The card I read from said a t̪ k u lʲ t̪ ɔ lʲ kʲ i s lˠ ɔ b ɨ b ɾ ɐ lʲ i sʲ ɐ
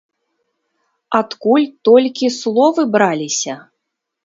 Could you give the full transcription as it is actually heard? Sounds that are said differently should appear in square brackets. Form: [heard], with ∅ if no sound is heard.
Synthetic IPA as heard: a t̪ k u lʲ t̪ ɔ lʲ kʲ i s lˠ ɔ [v] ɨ b ɾ [a] lʲ i sʲ ɐ